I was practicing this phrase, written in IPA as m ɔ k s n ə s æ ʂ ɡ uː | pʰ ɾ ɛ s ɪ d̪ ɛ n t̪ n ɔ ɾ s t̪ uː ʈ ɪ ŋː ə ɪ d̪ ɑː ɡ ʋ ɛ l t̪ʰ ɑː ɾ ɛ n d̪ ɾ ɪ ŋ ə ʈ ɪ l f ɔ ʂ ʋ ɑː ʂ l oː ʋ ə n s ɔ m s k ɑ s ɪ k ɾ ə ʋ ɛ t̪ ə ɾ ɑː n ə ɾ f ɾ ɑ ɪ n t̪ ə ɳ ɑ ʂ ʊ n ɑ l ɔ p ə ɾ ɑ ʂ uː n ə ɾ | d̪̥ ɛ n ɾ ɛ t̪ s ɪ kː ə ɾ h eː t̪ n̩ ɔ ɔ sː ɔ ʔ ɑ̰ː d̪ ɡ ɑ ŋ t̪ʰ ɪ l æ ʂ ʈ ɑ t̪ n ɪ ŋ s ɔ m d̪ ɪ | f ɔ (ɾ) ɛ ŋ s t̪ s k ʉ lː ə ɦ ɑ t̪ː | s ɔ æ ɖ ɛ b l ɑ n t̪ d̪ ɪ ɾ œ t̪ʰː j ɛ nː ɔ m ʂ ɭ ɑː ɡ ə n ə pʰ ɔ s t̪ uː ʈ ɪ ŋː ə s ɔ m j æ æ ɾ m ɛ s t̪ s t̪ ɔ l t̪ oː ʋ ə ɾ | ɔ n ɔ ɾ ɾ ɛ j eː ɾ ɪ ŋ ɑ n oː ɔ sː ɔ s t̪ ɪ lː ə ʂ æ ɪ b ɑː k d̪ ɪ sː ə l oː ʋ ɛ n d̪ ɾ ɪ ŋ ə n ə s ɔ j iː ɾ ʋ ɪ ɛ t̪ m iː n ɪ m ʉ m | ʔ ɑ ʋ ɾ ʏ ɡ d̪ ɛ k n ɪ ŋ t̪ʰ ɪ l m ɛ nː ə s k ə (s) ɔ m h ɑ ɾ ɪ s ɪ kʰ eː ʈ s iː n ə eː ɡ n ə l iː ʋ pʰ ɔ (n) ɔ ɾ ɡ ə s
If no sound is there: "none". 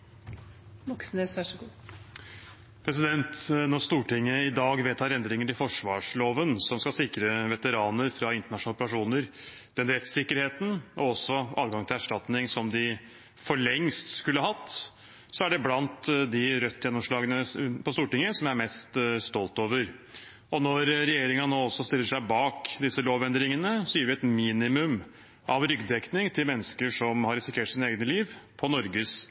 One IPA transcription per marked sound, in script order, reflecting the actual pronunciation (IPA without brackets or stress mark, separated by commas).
ɭ, ʂ, n